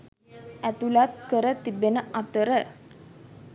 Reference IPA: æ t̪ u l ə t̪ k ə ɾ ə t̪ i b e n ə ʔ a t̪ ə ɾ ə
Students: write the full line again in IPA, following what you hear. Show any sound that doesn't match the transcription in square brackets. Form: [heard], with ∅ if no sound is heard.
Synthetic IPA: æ t̪ u l [a] t̪ k ə ɾ ə t̪ i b e n ə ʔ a t̪ ə ɾ ə